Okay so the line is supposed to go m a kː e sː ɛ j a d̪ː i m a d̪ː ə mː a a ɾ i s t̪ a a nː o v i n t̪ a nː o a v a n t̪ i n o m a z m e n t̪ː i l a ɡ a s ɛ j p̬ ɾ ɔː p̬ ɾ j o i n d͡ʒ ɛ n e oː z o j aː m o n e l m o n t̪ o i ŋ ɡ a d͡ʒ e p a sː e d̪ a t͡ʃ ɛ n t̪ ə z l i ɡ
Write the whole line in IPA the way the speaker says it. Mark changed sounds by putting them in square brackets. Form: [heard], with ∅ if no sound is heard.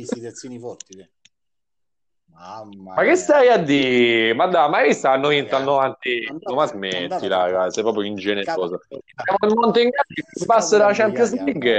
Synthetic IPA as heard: m a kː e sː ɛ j a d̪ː i m a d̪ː [a] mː a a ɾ i s t̪ a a nː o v i n t̪ a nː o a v a n t̪ i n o m a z m e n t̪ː i l a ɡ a s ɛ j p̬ ɾ ɔː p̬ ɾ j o i n d͡ʒ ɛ n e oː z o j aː m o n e l m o n t̪ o i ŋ ɡ a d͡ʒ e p a sː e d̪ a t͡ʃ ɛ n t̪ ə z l i ɡ